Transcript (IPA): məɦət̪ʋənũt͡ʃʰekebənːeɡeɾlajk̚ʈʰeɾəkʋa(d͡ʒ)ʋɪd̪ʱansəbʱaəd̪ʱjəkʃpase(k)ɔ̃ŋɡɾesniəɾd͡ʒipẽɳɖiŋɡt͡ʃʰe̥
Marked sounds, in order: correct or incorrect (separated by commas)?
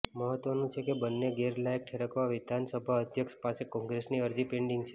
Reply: incorrect, correct